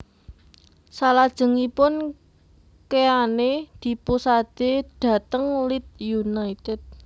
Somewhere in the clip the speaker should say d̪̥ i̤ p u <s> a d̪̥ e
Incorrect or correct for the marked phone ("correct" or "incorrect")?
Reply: correct